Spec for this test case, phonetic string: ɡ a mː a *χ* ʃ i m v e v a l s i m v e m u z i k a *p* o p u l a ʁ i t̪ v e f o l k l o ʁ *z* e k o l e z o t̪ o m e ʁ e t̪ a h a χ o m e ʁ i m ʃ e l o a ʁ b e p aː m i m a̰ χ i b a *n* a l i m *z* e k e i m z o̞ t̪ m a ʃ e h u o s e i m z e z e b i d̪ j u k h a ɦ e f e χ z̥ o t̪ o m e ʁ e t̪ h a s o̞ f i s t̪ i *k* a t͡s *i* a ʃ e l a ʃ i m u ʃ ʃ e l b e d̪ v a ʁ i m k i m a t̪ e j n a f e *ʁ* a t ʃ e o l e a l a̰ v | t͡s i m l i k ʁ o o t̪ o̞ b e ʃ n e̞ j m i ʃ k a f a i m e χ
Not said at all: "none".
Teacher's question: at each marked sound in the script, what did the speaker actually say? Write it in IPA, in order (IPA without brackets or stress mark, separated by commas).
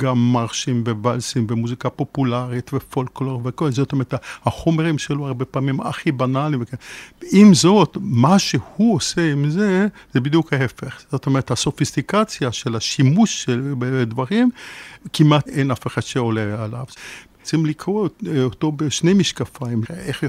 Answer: ʁ, p, v, n, v, k, j, χ